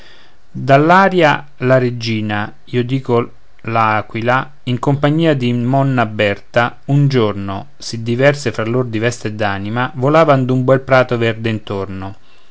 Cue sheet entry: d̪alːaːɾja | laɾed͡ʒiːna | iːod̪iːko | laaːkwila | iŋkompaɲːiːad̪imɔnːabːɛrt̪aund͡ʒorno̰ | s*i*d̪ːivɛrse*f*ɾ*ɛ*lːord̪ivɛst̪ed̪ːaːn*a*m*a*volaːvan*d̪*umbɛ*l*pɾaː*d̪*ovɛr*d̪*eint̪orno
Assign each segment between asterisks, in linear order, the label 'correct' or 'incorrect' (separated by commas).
correct, correct, incorrect, incorrect, correct, correct, correct, incorrect, correct